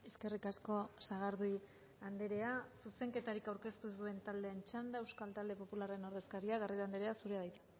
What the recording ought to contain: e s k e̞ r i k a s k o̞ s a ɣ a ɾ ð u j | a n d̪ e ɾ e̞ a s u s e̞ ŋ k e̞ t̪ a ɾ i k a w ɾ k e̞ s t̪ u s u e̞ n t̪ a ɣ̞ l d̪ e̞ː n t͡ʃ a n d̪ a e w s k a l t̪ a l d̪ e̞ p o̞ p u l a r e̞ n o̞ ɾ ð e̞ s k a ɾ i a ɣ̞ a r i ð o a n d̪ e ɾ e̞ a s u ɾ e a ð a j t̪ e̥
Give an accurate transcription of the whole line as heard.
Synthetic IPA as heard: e s k e̞ r i k a s k o̞ s a ɣ a ɾ ð u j | a n d̪ e ɾ e̞ a s u s e̞ ŋ k e̞ t̪ a ɾ i k a w ɾ k e̞ s t̪ u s u e̞ n t̪ a l d̪ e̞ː n t͡ʃ a n d̪ a e w s k a l t̪ a l d̪ e̞ p o̞ p u l a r e̞ n o̞ ɾ ð e̞ s k a ɾ i a ɣ̞ a r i ð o a n d̪ e ɾ e̞ a s u ɾ e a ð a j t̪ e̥

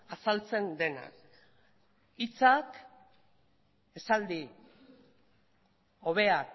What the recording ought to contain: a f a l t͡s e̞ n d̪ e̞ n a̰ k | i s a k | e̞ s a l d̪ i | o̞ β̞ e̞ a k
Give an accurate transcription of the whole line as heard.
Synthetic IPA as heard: a s a l t͡s e̞ n d̪ e̞ n a̰ k | i t͡s a k | e̞ s a l d̪ i | o̞ β̞ e̞ a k

